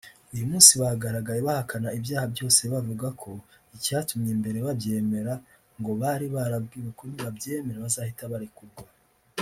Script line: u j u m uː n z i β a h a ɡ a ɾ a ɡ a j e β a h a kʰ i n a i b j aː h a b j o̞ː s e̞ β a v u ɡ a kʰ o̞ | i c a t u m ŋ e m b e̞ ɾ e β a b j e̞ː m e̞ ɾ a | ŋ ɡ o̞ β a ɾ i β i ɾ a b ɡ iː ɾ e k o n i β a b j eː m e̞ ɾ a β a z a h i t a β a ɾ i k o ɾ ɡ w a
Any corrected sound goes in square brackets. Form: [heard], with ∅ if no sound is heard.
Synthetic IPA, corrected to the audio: u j u m uː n [s] i β a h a ɡ a ɾ a ɡ a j e β a h a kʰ [a] n a i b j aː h a b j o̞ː s e̞ β a v u ɡ a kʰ o̞ | i c a t u m [ɲ] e m b e̞ ɾ e β a b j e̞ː m e̞ ɾ a | ŋ ɡ o̞ β a ɾ i β [a] ɾ a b ɡ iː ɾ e k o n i β a b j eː m e̞ ɾ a β a z a h i t a β a ɾ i k [u] ɾ ɡ w a